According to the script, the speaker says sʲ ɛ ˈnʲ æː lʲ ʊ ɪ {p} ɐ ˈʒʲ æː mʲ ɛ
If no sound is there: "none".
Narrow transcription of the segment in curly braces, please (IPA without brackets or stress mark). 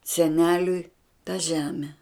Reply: t